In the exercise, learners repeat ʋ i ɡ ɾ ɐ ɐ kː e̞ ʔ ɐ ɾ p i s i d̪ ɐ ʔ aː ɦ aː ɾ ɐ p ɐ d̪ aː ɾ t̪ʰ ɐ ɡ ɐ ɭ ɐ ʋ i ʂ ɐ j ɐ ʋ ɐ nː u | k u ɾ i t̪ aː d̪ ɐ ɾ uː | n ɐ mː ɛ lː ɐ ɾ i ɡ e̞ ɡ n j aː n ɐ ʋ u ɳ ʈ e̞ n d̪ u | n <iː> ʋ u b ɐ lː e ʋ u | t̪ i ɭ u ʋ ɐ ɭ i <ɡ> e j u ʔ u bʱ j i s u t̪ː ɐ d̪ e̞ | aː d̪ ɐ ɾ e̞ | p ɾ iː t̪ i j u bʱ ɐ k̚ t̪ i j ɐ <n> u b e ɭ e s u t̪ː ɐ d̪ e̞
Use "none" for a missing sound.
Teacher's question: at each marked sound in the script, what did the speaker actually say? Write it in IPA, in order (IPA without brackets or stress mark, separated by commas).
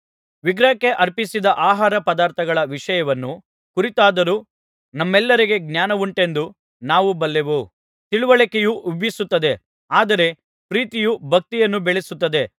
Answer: aː, k, nː